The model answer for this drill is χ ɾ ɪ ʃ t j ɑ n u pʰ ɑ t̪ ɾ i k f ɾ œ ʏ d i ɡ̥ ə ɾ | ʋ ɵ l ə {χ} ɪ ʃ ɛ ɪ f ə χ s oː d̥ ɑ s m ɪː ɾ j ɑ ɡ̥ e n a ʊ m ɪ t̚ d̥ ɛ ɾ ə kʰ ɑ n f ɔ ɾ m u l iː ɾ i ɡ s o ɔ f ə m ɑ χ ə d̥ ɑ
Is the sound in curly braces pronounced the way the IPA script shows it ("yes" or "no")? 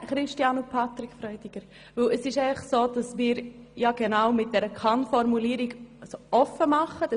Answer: no